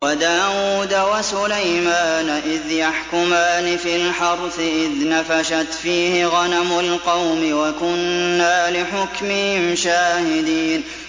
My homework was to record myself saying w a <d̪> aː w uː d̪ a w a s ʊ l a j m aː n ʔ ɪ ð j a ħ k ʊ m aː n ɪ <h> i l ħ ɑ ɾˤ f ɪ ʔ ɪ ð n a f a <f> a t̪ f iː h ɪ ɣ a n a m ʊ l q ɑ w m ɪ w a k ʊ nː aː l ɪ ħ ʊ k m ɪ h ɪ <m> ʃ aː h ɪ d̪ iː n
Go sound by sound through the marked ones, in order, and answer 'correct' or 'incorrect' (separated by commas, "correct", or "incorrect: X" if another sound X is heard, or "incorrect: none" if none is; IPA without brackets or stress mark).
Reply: correct, incorrect: f, incorrect: ʃ, correct